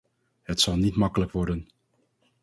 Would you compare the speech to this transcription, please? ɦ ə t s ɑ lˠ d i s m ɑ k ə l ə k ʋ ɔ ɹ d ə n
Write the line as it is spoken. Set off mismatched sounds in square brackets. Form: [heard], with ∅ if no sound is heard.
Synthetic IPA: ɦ ə t s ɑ lˠ [n] i [t] m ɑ k ə l ə k ʋ ɔ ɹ d ə n